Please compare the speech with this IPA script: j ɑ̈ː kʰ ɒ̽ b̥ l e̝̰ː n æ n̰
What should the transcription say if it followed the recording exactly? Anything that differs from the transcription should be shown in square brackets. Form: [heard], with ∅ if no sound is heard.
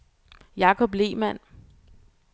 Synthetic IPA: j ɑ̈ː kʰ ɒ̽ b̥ l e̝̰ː [m] æ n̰